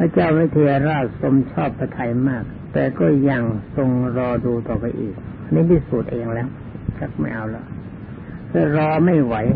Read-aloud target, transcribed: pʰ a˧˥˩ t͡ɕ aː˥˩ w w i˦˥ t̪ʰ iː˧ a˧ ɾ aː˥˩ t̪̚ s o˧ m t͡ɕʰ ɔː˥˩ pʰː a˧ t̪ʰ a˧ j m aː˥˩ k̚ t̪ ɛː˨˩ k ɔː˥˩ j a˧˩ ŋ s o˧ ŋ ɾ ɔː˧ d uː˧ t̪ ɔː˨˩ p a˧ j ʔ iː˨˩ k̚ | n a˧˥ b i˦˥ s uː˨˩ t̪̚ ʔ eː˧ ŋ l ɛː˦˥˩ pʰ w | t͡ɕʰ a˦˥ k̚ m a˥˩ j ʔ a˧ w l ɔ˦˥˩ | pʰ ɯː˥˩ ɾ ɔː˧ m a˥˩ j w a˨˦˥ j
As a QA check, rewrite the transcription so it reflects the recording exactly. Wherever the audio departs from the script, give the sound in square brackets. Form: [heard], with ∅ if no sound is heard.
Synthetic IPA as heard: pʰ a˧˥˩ t͡ɕ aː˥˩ w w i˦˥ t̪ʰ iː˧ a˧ ɾ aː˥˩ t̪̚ s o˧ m t͡ɕʰ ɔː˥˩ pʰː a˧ t̪ʰ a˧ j m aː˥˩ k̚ t̪ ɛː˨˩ k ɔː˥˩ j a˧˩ ŋ s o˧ ŋ ɾ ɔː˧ d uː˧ t̪ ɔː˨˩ p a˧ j ʔ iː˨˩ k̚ | n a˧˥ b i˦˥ s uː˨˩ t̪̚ ʔ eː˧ ŋ l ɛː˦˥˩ [∅] w | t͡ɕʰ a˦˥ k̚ m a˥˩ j ʔ a˧ w l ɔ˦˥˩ | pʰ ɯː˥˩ ɾ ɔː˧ m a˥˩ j w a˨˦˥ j